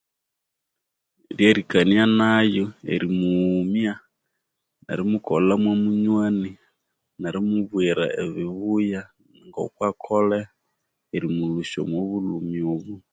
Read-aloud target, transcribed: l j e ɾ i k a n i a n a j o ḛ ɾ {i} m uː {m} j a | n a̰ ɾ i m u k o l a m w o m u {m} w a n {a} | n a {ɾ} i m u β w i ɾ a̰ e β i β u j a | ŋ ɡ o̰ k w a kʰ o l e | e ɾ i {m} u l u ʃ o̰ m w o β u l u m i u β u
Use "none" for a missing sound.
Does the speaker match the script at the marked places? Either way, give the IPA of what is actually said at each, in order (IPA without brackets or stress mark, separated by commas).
i, m, ɲ, i, ɾ, m